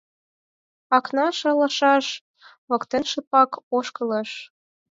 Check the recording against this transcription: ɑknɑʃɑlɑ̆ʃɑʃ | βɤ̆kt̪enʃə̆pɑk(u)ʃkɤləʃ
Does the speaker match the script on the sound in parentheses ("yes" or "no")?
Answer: no